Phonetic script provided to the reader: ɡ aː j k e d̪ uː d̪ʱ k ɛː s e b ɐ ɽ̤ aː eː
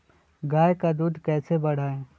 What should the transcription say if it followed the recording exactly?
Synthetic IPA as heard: ɡ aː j k a d̪ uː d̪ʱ k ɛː s e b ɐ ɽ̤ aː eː